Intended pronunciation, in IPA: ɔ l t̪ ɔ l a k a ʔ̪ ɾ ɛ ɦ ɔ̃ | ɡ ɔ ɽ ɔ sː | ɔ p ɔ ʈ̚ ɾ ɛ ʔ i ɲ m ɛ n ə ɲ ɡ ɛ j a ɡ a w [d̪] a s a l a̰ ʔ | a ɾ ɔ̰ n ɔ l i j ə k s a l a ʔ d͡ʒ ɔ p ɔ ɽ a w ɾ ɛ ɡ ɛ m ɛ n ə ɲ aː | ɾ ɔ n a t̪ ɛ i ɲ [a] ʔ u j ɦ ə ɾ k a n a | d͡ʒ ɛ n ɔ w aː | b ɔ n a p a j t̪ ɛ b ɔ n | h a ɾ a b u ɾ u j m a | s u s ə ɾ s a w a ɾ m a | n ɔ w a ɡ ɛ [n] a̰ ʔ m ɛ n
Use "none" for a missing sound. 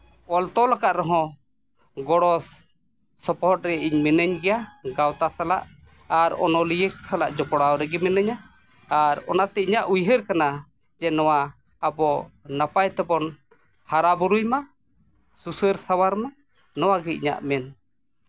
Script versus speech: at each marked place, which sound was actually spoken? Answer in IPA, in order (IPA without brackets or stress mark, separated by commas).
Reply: t̪, a, ɲ